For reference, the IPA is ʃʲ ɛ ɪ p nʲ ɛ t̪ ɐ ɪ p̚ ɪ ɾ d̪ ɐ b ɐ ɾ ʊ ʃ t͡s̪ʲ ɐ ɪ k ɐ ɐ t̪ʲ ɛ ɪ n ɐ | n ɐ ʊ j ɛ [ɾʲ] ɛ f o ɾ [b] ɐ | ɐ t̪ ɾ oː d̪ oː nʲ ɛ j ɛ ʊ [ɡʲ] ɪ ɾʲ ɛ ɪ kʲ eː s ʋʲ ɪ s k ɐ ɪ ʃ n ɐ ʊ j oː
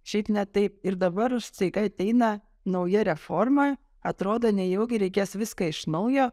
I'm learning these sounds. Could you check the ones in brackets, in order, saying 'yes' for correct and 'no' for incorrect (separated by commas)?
yes, no, yes